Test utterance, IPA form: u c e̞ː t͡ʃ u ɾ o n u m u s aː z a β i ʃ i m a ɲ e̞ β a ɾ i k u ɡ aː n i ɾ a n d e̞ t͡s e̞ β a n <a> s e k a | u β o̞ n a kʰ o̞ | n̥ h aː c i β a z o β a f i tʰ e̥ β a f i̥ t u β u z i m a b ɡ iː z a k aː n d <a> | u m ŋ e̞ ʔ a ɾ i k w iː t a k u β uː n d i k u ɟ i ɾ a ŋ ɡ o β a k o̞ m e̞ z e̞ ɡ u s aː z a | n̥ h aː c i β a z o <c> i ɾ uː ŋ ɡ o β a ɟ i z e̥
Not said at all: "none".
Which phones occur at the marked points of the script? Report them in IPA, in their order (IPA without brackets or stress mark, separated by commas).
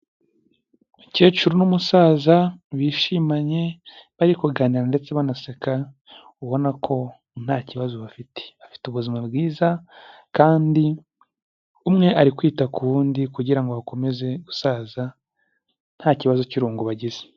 a, i, c